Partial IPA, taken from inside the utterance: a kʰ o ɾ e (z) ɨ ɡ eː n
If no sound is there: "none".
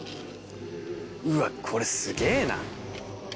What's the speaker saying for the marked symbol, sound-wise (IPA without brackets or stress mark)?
s